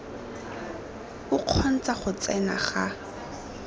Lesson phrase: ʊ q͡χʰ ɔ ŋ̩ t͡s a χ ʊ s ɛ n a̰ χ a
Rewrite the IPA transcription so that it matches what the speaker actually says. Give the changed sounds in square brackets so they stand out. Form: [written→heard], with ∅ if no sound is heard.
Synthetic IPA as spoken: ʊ q͡χʰ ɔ [ŋ̩→n̩] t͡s a χ ʊ [s→t͡s] ɛ n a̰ χ a